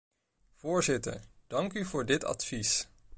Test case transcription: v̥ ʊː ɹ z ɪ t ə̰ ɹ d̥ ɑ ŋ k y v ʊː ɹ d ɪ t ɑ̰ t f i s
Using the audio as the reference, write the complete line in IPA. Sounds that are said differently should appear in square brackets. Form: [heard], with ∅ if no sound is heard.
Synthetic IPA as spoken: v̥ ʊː ɹ z ɪ t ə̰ ɹ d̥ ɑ ŋ k y v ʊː ɹ d ɪ t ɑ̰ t f i s